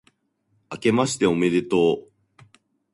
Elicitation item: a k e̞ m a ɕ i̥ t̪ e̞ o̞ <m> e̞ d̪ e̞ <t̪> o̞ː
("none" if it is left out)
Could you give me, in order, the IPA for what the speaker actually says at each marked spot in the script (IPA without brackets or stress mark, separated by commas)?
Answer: m, t̪